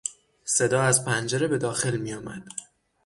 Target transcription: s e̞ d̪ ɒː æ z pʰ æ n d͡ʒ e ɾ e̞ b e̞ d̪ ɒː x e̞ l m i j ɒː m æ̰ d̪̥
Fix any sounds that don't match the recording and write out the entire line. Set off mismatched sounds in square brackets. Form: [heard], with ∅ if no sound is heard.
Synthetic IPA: s e̞ d̪ ɒː æ z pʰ æ n d͡ʒ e ɾ e̞ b e̞ d̪ ɒː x e̞ l m i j ɒː m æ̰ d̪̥